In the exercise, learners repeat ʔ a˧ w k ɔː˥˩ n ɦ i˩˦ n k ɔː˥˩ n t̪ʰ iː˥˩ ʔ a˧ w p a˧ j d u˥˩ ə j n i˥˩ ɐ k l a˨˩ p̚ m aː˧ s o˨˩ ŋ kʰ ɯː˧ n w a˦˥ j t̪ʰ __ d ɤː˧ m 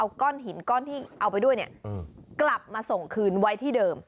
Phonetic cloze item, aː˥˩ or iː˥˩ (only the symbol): iː˥˩